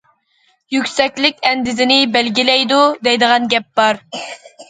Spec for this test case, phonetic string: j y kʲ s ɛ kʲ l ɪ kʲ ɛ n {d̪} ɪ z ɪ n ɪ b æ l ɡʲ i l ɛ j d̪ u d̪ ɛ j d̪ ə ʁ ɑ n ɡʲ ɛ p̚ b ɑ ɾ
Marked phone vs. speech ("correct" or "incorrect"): correct